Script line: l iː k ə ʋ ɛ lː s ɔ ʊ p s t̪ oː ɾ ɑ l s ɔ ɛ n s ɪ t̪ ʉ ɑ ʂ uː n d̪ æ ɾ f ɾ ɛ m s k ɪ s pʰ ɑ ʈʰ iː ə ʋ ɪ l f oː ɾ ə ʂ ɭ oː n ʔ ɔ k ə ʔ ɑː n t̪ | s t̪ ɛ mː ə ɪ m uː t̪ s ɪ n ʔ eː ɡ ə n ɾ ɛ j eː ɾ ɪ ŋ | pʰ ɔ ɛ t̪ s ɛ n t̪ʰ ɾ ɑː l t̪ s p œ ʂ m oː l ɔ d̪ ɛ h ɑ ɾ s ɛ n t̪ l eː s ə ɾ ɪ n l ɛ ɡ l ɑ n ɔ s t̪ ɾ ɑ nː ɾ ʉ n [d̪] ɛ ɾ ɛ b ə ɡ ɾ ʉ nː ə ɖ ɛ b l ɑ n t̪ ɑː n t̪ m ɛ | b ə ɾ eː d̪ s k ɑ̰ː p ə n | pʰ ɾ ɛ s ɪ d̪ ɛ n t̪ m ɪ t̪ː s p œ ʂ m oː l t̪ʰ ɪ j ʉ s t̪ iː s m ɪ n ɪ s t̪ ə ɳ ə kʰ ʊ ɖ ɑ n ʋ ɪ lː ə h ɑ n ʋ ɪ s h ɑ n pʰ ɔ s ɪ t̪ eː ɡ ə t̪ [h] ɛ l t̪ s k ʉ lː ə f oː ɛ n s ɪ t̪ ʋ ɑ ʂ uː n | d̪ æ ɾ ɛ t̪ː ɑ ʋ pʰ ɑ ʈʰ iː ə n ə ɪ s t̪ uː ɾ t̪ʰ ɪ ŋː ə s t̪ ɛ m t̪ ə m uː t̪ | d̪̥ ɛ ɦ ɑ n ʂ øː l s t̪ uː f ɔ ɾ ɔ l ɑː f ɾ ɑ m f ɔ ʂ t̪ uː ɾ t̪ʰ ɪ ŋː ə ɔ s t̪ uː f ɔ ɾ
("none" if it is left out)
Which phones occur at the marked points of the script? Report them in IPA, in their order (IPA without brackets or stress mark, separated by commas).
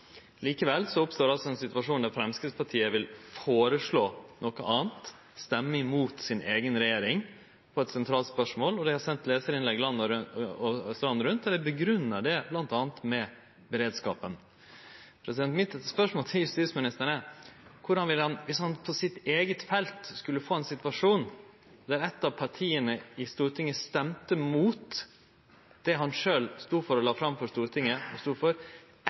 t̪, f